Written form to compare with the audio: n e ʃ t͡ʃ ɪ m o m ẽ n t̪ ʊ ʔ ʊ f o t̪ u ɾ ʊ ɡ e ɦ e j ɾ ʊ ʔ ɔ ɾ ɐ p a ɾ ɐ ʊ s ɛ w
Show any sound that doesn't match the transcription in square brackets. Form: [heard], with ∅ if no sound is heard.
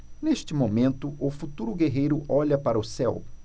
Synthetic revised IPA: n e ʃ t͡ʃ ɪ m o m ẽ n t̪ ʊ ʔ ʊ f [u] t̪ u ɾ ʊ ɡ e ɦ e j ɾ ʊ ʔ ɔ [ʎ] ɐ p a ɾ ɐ ʊ s ɛ w